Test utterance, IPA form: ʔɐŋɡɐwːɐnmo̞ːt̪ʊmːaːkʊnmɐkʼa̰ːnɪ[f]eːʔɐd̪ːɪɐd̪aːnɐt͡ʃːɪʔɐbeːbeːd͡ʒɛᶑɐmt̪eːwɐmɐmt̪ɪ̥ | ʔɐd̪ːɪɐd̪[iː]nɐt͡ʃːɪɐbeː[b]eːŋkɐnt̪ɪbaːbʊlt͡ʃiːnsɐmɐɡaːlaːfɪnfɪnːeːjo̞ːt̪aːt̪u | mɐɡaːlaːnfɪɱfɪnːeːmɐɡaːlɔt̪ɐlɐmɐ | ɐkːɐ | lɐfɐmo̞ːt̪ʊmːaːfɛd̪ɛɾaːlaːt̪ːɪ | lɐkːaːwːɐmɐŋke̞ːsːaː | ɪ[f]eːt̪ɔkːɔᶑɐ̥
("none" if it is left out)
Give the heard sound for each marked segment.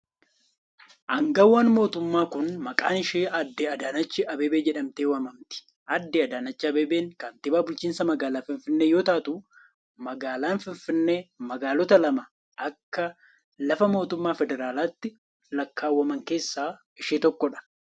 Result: ʃ, aː, b, ʃ

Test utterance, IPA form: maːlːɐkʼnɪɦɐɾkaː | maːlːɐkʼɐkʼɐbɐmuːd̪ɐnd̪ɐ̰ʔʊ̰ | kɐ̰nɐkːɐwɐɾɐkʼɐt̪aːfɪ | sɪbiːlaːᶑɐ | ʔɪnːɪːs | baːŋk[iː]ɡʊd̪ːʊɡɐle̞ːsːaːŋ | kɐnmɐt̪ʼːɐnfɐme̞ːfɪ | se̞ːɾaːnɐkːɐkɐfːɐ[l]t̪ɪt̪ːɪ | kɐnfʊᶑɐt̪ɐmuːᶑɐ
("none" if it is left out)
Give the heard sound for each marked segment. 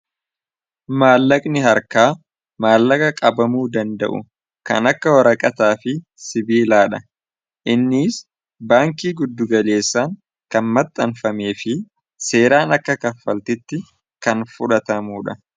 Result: iː, l

